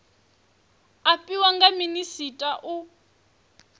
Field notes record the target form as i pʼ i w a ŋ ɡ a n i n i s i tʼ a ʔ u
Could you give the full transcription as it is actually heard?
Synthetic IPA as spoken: a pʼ i w a ŋ ɡ a m i n i s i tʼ a ʔ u